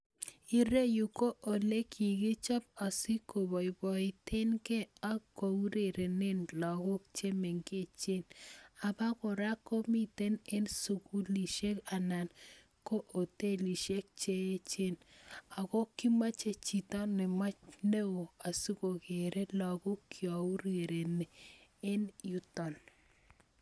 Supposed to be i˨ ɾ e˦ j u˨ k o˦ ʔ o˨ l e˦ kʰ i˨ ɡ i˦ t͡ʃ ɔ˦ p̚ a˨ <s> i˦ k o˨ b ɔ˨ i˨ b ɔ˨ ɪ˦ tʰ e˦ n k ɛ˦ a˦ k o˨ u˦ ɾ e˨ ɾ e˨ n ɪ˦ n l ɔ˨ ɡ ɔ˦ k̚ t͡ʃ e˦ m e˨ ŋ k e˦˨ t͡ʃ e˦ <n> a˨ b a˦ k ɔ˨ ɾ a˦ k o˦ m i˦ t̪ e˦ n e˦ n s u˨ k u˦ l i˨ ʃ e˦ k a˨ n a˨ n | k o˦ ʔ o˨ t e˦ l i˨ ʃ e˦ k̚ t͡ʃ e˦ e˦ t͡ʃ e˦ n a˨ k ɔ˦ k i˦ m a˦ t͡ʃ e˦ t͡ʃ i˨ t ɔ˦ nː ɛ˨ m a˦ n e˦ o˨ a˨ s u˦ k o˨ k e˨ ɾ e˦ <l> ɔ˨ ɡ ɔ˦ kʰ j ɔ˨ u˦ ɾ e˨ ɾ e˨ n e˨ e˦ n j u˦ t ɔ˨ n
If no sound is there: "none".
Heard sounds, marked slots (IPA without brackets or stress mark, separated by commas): s, n, l